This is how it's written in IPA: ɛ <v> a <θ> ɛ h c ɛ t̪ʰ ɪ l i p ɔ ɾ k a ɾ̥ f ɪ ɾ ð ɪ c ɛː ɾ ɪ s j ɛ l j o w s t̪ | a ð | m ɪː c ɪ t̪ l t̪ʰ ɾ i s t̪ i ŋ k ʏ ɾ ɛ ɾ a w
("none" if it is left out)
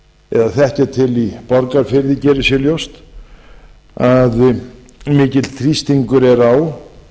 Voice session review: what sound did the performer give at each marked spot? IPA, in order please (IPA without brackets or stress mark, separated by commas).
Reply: ð, θ